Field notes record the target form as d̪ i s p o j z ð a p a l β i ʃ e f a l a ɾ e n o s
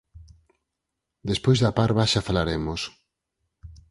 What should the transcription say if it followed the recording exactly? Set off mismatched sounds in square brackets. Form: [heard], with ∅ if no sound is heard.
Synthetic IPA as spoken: d̪ [e] s p o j z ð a p a [ɾ] β [a] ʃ [a] f a l a ɾ e [m] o s